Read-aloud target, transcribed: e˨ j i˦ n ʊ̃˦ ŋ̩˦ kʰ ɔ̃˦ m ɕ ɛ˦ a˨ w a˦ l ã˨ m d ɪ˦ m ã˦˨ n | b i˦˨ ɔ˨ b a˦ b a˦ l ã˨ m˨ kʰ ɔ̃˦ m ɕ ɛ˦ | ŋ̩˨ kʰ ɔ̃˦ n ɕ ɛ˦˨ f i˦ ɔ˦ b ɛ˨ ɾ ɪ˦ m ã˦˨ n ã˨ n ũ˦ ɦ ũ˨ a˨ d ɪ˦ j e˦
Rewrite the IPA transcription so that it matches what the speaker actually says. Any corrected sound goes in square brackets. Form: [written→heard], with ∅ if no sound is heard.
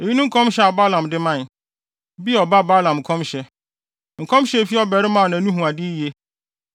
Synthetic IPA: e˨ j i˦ n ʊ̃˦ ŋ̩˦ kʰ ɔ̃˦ m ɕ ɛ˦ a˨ [w→b] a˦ l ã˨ m d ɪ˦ m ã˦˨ n | b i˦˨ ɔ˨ b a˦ b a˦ l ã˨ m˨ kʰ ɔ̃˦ m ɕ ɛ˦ | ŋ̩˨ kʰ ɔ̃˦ [n→m] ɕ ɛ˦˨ f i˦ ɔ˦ b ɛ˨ ɾ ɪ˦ m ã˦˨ n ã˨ n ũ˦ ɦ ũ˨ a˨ d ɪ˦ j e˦